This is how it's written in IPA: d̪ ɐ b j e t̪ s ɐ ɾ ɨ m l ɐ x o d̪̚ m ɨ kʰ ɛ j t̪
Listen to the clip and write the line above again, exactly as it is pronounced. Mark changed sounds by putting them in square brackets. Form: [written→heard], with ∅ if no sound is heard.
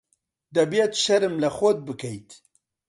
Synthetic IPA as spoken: d̪ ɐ b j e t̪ [s→ʃ] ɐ ɾ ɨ m l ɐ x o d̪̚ [m→b] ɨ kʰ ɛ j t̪